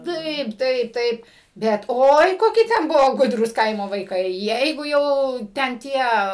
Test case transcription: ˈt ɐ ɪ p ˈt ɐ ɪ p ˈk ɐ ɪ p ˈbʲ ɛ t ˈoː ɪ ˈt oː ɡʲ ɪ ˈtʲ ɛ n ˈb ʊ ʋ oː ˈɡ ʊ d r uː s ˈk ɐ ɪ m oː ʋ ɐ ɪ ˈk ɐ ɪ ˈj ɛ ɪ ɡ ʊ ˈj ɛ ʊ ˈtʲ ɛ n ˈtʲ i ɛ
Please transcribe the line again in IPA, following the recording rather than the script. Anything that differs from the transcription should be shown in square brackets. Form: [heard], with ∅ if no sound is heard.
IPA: ˈt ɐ ɪ p ˈt ɐ ɪ p [ˈt] ɐ ɪ p ˈbʲ ɛ t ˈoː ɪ [ˈk] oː [kʲ] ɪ ˈtʲ ɛ n ˈb ʊ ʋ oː ˈɡ ʊ d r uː s ˈk ɐ ɪ m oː ʋ ɐ ɪ ˈk ɐ ɪ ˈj ɛ ɪ ɡ ʊ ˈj ɛ ʊ ˈtʲ ɛ n ˈtʲ i ɛ

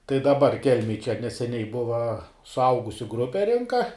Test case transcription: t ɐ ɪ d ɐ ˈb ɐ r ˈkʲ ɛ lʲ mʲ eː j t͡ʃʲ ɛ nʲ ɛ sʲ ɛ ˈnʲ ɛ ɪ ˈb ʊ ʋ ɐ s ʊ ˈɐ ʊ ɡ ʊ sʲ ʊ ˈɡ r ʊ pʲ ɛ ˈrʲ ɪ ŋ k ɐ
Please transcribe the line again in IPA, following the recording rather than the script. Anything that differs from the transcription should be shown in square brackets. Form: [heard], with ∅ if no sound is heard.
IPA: t ɐ ɪ d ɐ ˈb ɐ r ˈkʲ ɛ lʲ mʲ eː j t͡ʃʲ ɛ nʲ ɛ sʲ ɛ ˈnʲ ɛ ɪ ˈb ʊ ʋ ɐ s ʊ ˈɐ ʊ ɡ ʊ sʲ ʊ ˈɡ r ʊ pʲ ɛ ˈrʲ ɪ ŋ k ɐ

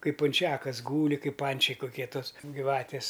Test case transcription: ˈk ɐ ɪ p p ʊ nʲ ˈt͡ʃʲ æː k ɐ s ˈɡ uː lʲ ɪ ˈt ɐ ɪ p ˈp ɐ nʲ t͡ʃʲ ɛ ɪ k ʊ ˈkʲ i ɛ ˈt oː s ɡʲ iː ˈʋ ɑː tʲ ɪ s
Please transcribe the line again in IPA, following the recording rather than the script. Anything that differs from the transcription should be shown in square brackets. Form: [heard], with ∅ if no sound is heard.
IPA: ˈk ɐ ɪ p p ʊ nʲ ˈt͡ʃʲ æː k ɐ s ˈɡ uː lʲ ɪ [ˈk] ɐ ɪ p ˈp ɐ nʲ t͡ʃʲ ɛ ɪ k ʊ ˈkʲ i ɛ ˈt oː s ɡʲ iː ˈʋ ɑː tʲ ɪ s

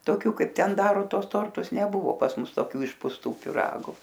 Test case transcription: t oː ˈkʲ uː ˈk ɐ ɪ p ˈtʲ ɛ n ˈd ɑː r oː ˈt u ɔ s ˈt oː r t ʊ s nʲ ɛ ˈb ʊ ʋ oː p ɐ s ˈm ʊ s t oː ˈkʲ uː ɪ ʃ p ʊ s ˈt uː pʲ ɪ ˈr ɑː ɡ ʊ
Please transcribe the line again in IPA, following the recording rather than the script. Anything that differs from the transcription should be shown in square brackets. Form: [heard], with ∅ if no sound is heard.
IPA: t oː ˈkʲ uː ˈk ɐ ɪ p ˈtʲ ɛ n ˈd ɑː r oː ˈt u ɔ s ˈt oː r t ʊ s nʲ ɛ ˈb ʊ ʋ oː p ɐ s ˈm ʊ s t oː ˈkʲ uː ɪ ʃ p ʊ s ˈt uː pʲ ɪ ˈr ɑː ɡ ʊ

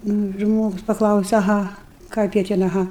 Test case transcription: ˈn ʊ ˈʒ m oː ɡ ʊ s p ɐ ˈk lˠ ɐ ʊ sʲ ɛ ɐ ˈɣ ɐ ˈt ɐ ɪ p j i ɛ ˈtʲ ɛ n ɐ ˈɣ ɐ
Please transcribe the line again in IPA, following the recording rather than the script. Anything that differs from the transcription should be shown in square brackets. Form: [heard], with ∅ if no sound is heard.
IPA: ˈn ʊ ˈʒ m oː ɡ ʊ s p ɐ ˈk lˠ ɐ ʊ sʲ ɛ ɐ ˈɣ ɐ [ˈk] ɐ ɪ p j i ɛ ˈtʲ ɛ n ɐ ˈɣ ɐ

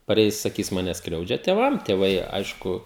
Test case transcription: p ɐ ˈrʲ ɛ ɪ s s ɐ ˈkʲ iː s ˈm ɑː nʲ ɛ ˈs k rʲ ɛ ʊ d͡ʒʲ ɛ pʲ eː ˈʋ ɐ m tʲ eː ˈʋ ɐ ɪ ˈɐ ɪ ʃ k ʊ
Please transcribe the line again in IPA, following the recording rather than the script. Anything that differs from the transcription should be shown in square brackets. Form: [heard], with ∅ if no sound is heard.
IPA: p ɐ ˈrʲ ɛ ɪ s s ɐ ˈkʲ iː s ˈm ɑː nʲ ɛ ˈs k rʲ ɛ ʊ d͡ʒʲ ɛ [tʲ] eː ˈʋ ɐ m tʲ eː ˈʋ ɐ ɪ ˈɐ ɪ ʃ k ʊ

